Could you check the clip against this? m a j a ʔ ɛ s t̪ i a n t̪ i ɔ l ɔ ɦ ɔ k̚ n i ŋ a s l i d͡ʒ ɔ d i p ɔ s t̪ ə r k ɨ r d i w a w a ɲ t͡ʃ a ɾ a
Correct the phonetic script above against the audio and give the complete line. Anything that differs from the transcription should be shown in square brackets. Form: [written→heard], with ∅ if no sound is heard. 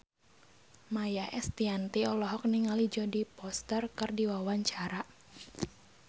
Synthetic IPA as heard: m a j a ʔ ɛ s t̪ i a n t̪ i ɔ l ɔ ɦ ɔ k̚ n i ŋ a [s→∅] l i d͡ʒ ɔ d i p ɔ s t̪ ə r k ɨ r d i w a w a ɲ t͡ʃ a ɾ a